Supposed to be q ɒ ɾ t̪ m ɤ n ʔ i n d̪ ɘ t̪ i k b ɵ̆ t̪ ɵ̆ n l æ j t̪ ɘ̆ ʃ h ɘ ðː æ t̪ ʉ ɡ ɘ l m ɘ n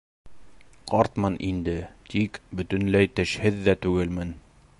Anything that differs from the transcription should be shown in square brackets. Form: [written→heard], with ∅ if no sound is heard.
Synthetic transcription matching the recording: q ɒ ɾ t̪ m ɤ n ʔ i n d̪ ɘ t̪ i k b ɵ̆ t̪ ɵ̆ n l æ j t̪ ɘ̆ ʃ h ɘ ðː æ t̪ ʉ ɡ ɘ l m ɘ n